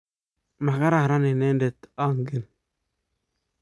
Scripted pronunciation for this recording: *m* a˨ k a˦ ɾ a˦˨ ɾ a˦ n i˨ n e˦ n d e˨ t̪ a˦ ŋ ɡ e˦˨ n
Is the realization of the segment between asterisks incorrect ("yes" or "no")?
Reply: no